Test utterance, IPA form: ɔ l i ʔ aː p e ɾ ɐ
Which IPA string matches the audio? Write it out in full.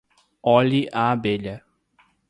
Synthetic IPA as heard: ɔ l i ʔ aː b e ʎ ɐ